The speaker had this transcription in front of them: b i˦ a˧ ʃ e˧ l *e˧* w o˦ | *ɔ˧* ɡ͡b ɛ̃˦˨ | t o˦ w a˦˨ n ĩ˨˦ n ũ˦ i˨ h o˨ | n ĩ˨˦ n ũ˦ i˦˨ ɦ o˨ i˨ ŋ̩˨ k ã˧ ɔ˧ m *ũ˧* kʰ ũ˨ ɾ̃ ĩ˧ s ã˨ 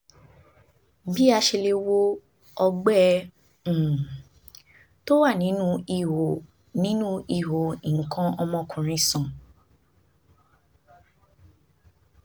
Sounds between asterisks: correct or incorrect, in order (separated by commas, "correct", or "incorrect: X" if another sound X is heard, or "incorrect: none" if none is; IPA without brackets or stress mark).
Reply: correct, correct, incorrect: ɔ̃˧